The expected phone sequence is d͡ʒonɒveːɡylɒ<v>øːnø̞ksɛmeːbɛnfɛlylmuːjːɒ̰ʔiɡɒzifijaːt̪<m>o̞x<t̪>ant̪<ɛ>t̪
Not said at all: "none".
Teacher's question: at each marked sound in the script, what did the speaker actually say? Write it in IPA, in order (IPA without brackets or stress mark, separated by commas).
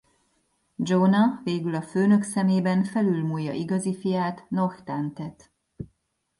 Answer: f, n, t̪, ɛ